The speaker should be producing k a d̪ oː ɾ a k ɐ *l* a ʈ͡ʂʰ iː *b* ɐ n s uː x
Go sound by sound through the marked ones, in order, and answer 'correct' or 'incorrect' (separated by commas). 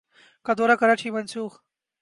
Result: incorrect, incorrect